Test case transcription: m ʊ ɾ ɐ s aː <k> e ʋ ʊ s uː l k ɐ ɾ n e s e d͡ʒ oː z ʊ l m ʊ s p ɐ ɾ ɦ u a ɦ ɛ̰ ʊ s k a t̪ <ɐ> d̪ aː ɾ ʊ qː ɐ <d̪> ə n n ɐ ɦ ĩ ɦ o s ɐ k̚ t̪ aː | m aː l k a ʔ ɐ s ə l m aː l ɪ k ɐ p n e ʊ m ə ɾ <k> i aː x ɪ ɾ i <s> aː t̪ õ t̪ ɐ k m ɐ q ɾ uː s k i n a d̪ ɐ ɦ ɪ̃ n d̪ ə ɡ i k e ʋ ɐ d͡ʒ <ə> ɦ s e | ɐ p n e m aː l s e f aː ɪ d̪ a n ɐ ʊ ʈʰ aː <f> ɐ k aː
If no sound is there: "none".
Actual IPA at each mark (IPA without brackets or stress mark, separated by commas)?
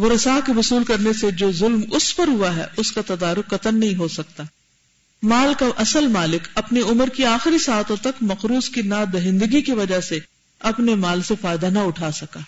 k, ɐ, t̪, k, s, a, s